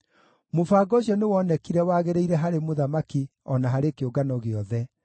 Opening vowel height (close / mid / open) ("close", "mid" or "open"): mid